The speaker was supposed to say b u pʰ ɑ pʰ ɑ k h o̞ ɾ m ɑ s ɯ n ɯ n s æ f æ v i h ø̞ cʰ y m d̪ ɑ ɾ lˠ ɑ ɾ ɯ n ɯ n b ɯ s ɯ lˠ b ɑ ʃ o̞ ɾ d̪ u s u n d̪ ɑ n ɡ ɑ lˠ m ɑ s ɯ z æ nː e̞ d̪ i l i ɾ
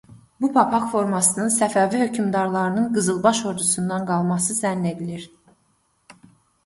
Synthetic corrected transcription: b u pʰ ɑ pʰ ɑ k f o̞ ɾ m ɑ s ɯ n ɯ n s æ f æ v i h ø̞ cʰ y m d̪ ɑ ɾ lˠ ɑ ɾ ɯ n ɯ n ɡ ɯ z ɯ lˠ b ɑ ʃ o̞ ɾ d̪ u s u n d̪ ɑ n ɡ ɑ lˠ m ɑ s ɯ z æ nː e̞ d̪ i l i ɾ